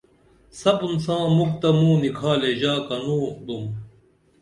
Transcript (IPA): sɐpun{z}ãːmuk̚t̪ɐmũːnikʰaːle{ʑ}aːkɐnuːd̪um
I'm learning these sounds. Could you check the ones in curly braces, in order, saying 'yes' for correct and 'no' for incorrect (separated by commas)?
no, yes